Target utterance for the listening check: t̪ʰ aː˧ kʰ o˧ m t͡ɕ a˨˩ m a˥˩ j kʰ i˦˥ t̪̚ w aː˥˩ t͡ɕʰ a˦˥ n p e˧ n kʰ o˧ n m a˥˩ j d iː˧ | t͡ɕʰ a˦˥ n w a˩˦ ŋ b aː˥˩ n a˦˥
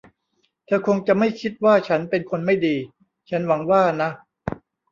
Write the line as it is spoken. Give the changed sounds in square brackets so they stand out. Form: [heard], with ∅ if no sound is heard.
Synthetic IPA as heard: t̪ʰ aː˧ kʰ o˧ [ŋ] t͡ɕ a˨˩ m a˥˩ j kʰ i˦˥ t̪̚ w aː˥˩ t͡ɕʰ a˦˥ n p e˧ n kʰ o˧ n m a˥˩ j d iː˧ | t͡ɕʰ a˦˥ n w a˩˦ ŋ [w] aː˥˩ n a˦˥